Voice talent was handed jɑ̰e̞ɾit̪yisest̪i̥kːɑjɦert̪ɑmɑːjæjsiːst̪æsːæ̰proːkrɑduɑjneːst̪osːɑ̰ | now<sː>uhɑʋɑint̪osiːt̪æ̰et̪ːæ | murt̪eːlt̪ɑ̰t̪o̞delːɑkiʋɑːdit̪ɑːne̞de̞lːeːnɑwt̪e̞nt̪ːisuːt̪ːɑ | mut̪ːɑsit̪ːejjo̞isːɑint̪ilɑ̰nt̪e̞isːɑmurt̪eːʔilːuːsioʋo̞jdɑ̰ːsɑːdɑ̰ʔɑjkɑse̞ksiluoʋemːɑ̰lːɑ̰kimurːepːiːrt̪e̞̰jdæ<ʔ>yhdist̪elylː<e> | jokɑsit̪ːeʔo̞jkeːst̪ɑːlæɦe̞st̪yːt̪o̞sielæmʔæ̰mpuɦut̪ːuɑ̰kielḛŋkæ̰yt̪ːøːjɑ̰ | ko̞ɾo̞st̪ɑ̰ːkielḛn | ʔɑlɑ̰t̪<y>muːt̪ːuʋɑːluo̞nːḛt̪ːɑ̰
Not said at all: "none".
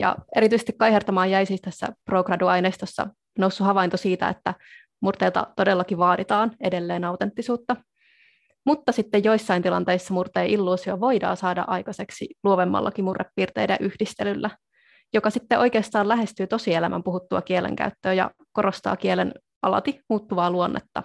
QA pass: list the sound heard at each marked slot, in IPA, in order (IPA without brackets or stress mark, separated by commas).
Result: sː, ʔ, æ, i